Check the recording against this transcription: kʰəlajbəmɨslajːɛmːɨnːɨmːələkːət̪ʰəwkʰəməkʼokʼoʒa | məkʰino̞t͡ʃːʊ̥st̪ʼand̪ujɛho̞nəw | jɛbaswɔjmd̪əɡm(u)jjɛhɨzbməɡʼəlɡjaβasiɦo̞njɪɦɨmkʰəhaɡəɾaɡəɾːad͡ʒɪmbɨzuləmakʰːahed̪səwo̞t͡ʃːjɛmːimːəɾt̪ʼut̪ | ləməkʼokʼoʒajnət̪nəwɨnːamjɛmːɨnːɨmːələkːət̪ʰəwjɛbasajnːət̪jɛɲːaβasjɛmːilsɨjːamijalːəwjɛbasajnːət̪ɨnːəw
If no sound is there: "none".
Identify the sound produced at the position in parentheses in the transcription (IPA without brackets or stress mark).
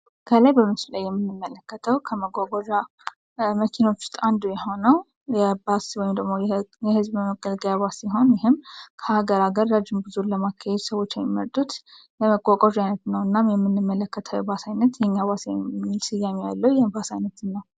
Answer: o